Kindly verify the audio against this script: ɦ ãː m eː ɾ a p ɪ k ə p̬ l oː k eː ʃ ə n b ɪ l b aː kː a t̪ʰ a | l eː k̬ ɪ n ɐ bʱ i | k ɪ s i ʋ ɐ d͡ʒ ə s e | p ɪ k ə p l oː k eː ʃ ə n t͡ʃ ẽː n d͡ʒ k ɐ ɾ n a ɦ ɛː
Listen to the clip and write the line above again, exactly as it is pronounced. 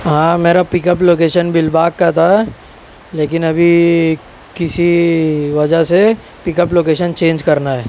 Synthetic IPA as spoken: ɦ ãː m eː ɾ a p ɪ k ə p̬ l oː k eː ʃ ə n b ɪ l b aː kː a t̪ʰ a | l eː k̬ ɪ n ɐ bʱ i | k ɪ s i ʋ ɐ d͡ʒ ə s e | p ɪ k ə p l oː k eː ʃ ə n t͡ʃ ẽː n d͡ʒ k ɐ ɾ n a ɦ ɛː

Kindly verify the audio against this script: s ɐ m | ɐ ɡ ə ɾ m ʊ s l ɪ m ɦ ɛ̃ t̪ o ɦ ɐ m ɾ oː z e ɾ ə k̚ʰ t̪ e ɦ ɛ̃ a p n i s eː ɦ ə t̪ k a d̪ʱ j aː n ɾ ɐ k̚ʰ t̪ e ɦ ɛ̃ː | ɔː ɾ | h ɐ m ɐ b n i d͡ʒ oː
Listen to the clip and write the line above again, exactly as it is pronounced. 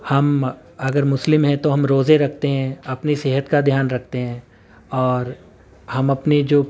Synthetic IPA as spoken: h ɐ m | ɐ ɡ ə ɾ m ʊ s l ɪ m ɦ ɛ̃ t̪ o ɦ ɐ m ɾ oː z e ɾ ɐ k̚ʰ t̪ e ɦ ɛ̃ ɐ p n i s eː ɦ ə t̪ k a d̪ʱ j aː n ɾ ɐ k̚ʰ t̪ e ɦ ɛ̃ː | ɔː ɾ | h ɐ m ɐ p n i d͡ʒ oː

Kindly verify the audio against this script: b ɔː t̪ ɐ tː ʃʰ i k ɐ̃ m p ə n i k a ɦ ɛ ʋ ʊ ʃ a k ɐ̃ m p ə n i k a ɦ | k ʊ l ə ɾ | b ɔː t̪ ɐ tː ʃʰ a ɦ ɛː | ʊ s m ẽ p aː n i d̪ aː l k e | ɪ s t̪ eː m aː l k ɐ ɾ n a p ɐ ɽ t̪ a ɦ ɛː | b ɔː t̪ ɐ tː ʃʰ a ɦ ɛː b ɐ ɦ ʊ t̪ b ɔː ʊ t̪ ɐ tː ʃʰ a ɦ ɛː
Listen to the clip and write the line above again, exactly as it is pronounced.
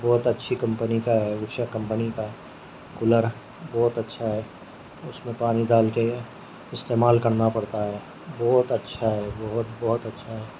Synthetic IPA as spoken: b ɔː t̪ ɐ tː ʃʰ i k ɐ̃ m p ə n i k a ɦ ɛ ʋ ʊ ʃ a k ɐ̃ m p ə n i k a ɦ | k ʊ l ə ɾ | b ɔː t̪ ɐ tː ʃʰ a ɦ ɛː | ʊ s m ẽ p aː n i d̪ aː l k e | ɪ s t̪ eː m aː l k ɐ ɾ n a p ɐ ɽ t̪ a ɦ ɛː | b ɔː t̪ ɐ tː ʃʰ a ɦ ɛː b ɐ ɦ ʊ t̪ b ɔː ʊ t̪ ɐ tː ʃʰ a ɦ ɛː

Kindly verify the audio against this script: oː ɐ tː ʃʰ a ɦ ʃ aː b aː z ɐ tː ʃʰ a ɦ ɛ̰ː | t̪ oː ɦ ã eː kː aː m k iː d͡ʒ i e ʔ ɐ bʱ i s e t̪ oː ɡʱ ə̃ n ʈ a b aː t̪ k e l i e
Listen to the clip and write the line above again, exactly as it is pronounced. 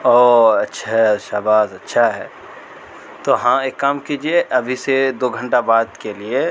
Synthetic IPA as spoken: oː ɐ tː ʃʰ a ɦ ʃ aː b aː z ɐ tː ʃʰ a ɦ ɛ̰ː | t̪ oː ɦ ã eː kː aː m k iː d͡ʒ i e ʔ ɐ bʱ i s e d̪ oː ɡʱ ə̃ ɳ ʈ a b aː d̪ k e l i e

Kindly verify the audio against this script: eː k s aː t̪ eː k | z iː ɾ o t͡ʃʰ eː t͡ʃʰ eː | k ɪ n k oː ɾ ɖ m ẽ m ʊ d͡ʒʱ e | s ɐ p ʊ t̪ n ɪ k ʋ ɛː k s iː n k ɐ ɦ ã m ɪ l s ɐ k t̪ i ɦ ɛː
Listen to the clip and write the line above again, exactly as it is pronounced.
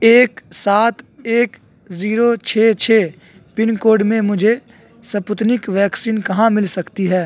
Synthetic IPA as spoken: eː k s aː t̪ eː k | z iː ɾ o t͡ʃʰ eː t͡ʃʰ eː | p ɪ n k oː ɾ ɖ m ẽ m ʊ d͡ʒʱ e | s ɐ p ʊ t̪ n ɪ k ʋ ɛː k s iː n k ɐ ɦ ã m ɪ l s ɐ k t̪ i ɦ ɛː

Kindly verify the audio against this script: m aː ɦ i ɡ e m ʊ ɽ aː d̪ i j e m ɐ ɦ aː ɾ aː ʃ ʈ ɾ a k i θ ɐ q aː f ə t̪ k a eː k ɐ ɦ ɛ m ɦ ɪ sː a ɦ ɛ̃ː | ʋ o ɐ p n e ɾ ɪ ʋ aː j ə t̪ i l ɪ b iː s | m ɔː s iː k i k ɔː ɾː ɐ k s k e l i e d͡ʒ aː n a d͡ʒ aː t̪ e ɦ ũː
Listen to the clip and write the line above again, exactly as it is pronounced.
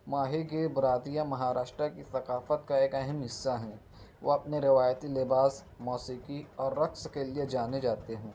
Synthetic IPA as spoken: m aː ɦ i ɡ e b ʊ ɾ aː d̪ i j a m ɐ ɦ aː ɾ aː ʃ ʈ ɾ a k i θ ɐ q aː f ə t̪ k a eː k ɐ ɦ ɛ m ɦ ɪ sː a ɦ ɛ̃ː | ʋ o ɐ p n e ɾ ɪ ʋ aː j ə t̪ i l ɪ b aː s | m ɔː s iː k i ɔː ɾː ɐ k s k e l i e d͡ʒ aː n e d͡ʒ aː t̪ e ɦ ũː

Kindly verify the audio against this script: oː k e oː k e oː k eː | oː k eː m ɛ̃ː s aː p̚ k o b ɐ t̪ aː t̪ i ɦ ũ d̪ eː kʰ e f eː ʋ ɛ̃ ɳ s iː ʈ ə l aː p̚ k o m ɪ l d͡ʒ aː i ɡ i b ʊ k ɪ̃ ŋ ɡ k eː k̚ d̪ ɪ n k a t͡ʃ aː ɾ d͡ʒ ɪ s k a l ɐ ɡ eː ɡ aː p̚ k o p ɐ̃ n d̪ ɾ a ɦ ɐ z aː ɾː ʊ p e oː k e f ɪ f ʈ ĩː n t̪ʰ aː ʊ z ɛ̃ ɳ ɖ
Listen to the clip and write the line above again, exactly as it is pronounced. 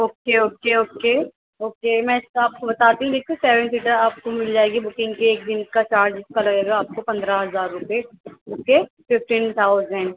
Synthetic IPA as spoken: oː k e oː k e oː k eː | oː k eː m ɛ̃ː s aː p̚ k o b ɐ t̪ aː t̪ i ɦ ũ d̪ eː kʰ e s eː ʋ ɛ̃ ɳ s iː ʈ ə ɾ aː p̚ k o m ɪ l d͡ʒ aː e ɡ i b ʊ k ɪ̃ ŋ ɡ k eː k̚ d̪ ɪ n k a t͡ʃ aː ɾ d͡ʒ ɪ s k a l ɐ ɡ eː ɡ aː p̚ k o p ɐ̃ n d̪ ɾ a ɦ ɐ z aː ɾː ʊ p e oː k e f ɪ f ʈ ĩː n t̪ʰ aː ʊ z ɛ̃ ɳ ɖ

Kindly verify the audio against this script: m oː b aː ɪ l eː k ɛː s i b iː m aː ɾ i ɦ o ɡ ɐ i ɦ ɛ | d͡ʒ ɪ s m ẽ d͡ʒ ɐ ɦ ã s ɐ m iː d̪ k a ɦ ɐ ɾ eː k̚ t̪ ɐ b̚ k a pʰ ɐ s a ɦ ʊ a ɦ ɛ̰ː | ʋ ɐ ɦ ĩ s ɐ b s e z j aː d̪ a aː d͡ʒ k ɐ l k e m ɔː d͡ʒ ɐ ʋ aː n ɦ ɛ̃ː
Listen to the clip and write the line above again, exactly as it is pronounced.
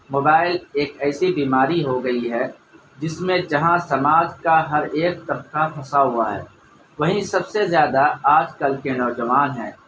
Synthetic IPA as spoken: m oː b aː ɪ l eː k ɛː s i b iː m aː ɾ i ɦ o ɡ ɐ i ɦ ɛ | d͡ʒ ɪ s m ẽ d͡ʒ ɐ ɦ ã s ɐ m aː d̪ k a ɦ ɐ ɾ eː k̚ t̪ ɐ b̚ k a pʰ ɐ s a ɦ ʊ a ɦ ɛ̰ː | ʋ ɐ ɦ ĩ s ɐ b s e z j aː d̪ a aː d͡ʒ k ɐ l k e n ɔː d͡ʒ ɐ ʋ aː n ɦ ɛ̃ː

